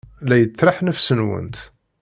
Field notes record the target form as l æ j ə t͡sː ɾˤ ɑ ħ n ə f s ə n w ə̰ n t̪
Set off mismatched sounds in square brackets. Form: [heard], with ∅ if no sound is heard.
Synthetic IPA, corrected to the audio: l æ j ə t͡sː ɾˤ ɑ ħ n ə f s ə n w ə̰ n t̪